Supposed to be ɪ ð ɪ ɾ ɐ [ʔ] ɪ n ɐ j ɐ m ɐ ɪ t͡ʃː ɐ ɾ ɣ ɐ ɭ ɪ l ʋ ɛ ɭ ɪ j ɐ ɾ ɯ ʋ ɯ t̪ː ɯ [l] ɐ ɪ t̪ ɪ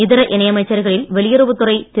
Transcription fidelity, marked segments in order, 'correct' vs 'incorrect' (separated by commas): correct, incorrect